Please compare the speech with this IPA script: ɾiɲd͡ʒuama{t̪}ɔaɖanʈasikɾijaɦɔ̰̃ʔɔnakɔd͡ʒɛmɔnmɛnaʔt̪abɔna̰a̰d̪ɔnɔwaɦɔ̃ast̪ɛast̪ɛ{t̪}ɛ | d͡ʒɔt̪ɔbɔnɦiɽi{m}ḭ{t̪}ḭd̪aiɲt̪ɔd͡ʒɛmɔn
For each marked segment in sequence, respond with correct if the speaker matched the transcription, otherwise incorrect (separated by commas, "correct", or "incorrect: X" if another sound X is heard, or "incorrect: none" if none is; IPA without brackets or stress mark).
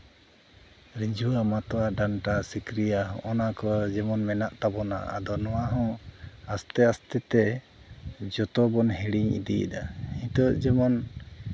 correct, correct, incorrect: ɲ, incorrect: d̪